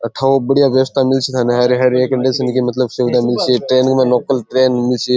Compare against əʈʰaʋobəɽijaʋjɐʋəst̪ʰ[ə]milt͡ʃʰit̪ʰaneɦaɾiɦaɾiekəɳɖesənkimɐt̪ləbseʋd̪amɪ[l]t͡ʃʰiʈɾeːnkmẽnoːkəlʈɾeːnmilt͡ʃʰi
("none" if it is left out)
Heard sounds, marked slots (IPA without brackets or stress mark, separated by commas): a, l